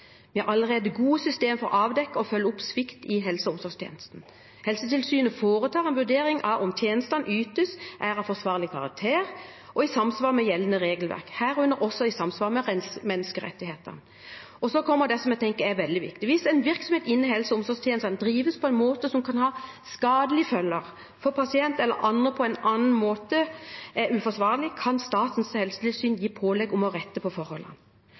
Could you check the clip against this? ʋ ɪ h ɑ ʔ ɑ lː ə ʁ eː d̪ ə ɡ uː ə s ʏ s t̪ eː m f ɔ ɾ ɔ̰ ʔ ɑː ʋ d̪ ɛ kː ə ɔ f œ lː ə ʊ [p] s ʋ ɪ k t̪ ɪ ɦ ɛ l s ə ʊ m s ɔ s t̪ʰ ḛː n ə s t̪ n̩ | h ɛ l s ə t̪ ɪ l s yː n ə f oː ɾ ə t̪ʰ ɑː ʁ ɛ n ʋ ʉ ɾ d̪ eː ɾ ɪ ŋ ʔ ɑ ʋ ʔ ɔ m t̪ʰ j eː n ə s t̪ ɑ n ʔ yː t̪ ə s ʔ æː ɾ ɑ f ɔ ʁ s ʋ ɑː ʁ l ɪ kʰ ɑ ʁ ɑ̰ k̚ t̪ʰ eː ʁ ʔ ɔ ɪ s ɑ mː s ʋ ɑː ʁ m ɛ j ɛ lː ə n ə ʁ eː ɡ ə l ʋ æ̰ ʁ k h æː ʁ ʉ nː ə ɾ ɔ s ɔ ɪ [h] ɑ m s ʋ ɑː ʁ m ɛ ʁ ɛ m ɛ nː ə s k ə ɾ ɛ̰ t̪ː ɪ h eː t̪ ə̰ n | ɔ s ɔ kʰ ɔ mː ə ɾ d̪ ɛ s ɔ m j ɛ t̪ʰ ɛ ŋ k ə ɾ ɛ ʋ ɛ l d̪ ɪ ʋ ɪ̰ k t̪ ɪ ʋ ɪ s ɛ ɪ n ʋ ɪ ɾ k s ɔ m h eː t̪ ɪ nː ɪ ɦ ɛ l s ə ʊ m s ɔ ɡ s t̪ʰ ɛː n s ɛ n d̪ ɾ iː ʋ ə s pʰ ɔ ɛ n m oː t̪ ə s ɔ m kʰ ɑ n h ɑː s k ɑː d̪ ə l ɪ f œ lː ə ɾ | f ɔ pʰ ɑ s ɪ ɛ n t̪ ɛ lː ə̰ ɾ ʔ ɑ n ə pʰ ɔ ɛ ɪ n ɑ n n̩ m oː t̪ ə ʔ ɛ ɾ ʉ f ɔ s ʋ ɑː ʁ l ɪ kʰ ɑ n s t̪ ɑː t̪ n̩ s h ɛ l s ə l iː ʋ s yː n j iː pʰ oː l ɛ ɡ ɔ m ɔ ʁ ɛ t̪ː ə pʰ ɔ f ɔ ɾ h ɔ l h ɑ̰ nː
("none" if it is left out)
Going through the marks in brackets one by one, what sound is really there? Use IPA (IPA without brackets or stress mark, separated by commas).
p, s